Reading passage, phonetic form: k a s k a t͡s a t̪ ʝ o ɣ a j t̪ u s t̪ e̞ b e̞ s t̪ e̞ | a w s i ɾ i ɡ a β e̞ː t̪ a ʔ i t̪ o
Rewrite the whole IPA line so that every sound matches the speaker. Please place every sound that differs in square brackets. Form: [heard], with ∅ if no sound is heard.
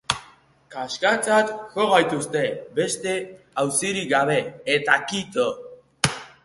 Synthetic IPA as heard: k a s k a t͡s a t̪ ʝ o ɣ a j t̪ u s t̪ e̞ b e̞ s t̪ e̞ | a w s i ɾ i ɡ a β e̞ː t̪ a [k] i t̪ o